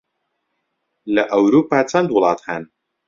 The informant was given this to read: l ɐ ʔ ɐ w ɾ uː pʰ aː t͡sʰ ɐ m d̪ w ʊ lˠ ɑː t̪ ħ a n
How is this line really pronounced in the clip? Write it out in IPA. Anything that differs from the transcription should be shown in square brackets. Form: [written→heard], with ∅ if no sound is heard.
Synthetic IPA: l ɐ ʔ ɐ w ɾ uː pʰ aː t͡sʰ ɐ [m→n] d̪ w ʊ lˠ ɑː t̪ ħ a n